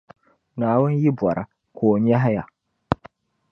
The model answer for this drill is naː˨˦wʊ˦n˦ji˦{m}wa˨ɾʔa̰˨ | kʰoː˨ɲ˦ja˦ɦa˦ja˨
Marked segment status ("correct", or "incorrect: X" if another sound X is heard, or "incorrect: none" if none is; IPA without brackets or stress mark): incorrect: b